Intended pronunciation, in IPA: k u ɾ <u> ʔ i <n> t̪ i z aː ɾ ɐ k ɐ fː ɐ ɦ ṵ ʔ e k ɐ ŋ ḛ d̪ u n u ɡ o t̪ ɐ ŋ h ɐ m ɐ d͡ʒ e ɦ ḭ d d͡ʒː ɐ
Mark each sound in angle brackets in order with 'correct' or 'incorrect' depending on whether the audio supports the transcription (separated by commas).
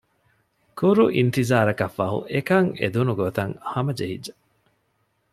correct, correct